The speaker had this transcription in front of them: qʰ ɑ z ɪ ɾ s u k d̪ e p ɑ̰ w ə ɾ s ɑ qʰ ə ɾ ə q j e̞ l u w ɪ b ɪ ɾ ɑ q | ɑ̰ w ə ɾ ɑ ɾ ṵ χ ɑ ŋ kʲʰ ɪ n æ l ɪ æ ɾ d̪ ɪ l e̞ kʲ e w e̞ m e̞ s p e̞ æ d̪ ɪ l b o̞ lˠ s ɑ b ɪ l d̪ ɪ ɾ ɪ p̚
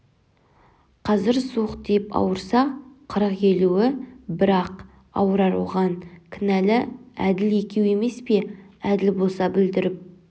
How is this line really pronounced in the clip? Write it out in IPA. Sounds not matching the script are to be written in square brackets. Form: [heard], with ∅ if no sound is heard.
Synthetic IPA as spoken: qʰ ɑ z ɪ ɾ s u [q] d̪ e p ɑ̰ w ə ɾ s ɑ qʰ ə ɾ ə q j e̞ l u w ɪ b ɪ ɾ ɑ q | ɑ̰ w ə ɾ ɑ ɾ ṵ [ʁ] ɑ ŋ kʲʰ ɪ n æ l ɪ æ [∅] d̪ ɪ l e̞ kʲ e w e̞ m e̞ s p e̞ æ d̪ ɪ l b o̞ lˠ s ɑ b ɪ l d̪ ɪ ɾ ɪ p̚